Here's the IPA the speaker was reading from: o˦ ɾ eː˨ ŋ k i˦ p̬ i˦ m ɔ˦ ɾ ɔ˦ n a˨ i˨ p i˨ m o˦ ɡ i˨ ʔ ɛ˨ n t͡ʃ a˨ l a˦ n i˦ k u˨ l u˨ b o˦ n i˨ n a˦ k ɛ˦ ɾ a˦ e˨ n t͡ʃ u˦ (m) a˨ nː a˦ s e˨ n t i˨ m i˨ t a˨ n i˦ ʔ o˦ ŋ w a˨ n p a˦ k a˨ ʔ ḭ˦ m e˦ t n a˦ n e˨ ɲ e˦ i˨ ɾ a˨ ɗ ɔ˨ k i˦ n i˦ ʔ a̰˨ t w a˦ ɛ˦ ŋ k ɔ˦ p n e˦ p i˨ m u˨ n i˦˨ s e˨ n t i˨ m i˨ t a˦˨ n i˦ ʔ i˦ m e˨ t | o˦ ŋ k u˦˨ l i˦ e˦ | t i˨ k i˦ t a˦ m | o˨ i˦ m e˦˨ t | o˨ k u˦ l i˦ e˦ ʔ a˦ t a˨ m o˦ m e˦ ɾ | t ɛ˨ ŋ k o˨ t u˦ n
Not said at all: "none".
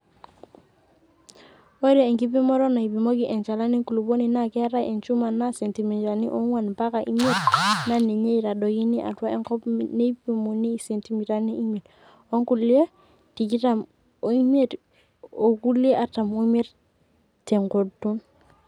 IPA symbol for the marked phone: m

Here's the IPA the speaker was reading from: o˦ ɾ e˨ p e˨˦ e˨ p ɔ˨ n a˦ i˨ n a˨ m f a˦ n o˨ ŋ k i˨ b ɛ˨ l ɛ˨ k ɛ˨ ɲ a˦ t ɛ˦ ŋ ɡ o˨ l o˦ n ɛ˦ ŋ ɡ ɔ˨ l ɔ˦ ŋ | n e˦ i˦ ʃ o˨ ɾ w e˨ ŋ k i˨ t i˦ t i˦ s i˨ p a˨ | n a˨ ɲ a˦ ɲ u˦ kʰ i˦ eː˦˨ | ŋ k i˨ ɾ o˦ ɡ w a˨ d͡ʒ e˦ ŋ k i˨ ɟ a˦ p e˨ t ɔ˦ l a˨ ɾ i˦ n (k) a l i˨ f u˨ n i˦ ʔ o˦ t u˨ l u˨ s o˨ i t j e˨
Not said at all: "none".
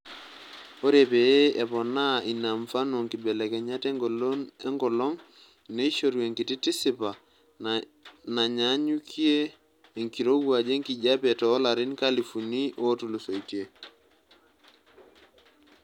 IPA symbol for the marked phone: k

